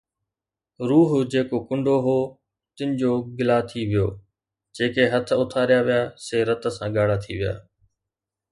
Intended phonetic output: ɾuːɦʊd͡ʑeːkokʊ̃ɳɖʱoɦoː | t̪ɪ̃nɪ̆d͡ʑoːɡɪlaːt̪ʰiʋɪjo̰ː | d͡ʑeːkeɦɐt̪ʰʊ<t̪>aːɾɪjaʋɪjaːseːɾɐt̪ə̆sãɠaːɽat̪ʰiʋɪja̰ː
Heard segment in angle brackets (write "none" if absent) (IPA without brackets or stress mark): t̪ʰ